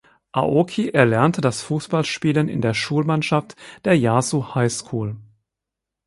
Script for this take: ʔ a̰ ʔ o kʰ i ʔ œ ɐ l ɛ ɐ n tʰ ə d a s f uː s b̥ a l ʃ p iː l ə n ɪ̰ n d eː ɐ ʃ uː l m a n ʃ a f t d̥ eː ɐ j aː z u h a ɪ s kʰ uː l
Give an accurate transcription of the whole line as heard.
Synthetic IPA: ʔ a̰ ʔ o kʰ i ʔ ɛ ɐ l ɛ ɐ n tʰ ə d a s f uː s b̥ a l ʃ p iː l ə n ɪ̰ n d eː ɐ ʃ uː l m a n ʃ a f t d̥ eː ɐ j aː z u h a ɪ s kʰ uː l